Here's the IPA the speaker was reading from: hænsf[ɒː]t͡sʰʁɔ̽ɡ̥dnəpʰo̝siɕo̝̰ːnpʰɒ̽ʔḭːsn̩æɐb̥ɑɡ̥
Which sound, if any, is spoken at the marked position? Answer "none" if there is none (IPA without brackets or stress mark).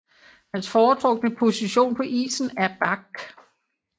ɒː